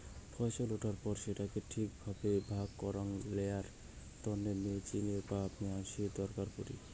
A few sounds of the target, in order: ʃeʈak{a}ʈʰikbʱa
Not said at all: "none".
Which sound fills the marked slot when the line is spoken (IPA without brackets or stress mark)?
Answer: e